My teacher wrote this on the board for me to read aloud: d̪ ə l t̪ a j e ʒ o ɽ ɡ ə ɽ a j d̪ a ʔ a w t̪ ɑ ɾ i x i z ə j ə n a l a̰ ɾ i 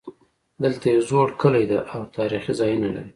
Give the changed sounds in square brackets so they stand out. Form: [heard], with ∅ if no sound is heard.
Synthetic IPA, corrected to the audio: d̪ ə l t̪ a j e [z] o ɽ [k] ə [l] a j d̪ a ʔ a w t̪ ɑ ɾ i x i z [ɑ] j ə n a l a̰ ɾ i